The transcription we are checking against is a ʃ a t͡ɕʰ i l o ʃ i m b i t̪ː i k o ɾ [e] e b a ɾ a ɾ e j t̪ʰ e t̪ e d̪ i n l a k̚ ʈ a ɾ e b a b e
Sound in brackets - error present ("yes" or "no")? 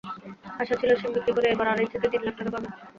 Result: no